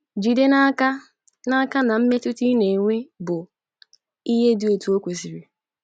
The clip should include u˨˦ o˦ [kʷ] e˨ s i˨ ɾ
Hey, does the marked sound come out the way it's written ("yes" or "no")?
yes